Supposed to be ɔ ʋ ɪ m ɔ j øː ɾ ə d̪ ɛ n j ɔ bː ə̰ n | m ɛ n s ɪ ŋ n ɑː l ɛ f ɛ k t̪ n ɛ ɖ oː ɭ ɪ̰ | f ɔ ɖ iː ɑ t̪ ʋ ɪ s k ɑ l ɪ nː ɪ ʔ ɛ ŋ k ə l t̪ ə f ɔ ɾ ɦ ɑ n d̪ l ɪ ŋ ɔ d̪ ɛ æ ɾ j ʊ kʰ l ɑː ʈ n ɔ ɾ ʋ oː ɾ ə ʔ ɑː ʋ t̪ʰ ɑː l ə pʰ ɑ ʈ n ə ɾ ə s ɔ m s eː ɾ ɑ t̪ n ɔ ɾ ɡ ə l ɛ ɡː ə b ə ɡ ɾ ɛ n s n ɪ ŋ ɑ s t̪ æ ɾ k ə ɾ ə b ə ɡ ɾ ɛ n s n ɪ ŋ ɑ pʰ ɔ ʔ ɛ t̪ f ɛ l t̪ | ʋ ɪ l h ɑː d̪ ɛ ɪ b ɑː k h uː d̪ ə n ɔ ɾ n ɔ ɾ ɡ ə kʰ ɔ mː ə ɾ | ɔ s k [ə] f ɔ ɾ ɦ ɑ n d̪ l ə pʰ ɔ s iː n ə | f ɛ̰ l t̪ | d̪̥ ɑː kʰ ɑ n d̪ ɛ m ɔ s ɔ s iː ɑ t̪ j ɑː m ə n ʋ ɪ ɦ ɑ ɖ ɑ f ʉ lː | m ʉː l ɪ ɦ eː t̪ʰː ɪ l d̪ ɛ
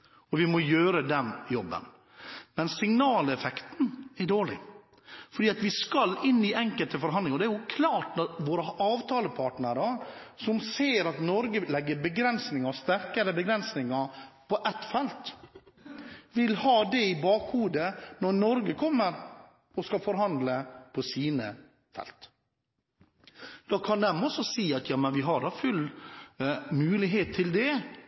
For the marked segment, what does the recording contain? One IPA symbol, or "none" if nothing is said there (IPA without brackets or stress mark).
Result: ɑ